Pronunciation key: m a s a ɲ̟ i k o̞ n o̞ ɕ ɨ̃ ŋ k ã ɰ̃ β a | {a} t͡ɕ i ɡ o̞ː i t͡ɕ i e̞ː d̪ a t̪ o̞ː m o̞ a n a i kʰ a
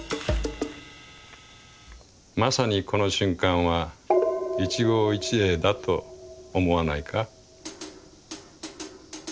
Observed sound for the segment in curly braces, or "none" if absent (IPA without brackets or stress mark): i